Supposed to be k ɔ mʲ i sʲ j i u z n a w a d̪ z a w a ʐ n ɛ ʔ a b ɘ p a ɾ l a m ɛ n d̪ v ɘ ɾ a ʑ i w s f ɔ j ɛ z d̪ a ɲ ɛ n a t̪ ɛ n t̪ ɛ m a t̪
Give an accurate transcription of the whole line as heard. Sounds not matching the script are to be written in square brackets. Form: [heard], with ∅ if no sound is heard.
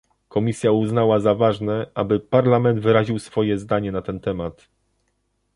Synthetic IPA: k ɔ mʲ i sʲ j [a] u z n a w a [∅] z a [v] a ʐ n ɛ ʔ a b ɘ p a ɾ l a m ɛ n d̪ v ɘ ɾ a ʑ i w s f ɔ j ɛ z d̪ a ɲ ɛ n a t̪ ɛ n t̪ ɛ m a t̪